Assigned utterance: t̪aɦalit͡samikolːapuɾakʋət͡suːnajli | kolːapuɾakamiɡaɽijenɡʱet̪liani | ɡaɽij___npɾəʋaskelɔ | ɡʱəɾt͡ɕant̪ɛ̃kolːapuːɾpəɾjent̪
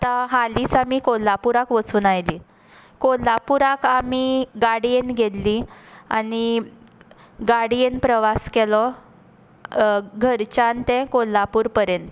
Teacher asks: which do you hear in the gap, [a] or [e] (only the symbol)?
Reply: e